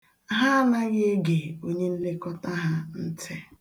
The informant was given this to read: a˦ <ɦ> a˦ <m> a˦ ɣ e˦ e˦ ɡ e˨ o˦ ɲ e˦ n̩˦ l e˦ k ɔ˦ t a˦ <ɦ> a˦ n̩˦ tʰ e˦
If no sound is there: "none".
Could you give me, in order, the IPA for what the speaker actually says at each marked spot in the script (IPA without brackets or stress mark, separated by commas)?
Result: ɦ, n, ɦ